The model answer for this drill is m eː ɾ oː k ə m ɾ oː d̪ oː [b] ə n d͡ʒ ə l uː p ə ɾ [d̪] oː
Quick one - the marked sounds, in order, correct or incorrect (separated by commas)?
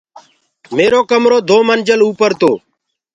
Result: incorrect, incorrect